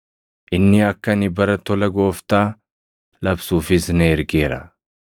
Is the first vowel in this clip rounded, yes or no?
no